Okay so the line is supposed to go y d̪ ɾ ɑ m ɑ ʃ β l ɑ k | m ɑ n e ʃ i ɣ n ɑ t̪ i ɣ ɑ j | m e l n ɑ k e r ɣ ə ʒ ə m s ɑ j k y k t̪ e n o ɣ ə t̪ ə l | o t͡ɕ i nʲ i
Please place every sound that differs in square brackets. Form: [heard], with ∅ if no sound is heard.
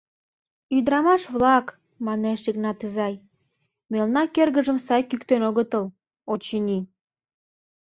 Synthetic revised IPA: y d̪ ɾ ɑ m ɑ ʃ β l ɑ k | m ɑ n e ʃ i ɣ n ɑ t̪ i [z] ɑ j | m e l n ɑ k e r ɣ ə ʒ ə m s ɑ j k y k t̪ e n o ɣ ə t̪ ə l | o t͡ɕ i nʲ i